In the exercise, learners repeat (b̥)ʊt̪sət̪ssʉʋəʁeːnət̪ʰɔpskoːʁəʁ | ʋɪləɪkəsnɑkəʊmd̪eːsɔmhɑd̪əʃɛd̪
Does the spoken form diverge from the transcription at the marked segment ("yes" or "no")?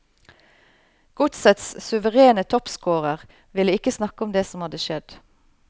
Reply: yes